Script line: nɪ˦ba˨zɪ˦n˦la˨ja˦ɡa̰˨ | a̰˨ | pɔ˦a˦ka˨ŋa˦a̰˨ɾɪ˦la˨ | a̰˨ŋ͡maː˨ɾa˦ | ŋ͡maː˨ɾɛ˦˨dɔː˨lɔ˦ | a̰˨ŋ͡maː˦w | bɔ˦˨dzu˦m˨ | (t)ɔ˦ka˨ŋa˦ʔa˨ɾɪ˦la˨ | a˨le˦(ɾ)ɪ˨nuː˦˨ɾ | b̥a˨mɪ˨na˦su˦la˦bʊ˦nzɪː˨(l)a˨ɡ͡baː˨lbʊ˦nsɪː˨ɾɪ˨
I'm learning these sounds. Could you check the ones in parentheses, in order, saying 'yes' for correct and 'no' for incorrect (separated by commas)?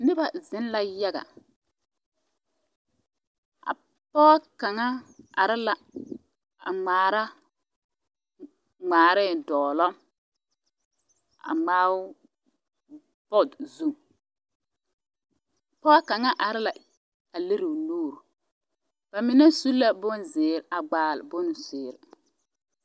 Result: no, yes, no